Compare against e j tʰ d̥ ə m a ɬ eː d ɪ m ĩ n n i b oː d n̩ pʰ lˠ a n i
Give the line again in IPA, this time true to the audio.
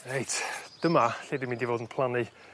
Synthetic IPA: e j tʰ d̥ ə m a ɬ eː d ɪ m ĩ n d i v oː d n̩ pʰ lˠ a n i